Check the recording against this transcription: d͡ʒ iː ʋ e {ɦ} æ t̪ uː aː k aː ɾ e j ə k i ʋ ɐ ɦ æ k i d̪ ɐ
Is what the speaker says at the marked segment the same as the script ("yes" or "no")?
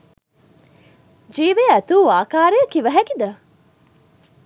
no